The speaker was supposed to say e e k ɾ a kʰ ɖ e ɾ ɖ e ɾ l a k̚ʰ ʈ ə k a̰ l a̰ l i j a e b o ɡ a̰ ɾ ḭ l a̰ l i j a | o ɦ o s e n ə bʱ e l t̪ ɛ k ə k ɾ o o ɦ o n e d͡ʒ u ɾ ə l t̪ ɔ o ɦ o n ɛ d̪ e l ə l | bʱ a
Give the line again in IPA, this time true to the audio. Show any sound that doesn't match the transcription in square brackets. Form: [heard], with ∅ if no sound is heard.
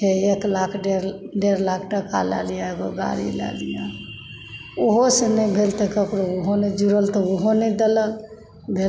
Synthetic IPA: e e k [l] a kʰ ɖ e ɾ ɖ e ɾ l a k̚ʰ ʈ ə k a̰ l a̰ l i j a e [ɡ] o ɡ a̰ ɾ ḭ l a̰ l i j a | o ɦ o s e n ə bʱ e l t̪ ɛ k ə k ɾ o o ɦ o n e d͡ʒ u ɾ ə l t̪ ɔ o ɦ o n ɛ d̪ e l ə l | bʱ [e]